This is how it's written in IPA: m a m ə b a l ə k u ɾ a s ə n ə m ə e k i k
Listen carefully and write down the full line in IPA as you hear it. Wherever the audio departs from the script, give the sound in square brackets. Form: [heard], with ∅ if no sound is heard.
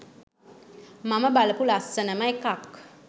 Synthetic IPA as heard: m a m ə b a l ə [p] u [l] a s ə n ə m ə e k [a] k